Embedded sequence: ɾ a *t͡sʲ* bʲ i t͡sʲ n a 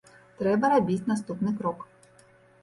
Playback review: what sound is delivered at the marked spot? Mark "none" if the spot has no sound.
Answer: none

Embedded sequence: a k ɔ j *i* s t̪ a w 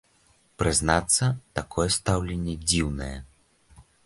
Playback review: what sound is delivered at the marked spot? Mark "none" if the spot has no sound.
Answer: ɛ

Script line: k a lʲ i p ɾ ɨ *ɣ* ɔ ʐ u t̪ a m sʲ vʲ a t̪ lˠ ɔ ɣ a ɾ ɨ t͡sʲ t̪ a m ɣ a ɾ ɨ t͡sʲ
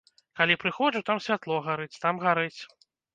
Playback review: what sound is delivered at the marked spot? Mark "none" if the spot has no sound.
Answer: x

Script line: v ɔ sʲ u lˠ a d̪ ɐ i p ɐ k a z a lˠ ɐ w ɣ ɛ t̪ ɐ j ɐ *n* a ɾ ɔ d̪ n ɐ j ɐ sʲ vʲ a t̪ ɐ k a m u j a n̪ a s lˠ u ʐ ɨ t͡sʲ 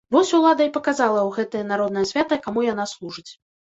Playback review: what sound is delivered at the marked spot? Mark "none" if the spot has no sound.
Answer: n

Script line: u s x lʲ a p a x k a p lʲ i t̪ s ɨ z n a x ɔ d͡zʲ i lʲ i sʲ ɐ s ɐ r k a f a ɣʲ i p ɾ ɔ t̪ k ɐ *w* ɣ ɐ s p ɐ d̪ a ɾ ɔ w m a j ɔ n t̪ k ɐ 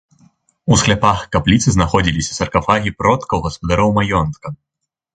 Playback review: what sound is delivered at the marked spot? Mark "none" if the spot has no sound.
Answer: w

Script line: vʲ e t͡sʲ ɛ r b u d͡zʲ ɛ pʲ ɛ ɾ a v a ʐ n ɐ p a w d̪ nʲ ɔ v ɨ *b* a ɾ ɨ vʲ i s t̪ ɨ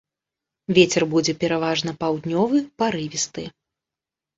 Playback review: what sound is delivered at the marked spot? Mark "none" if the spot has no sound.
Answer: p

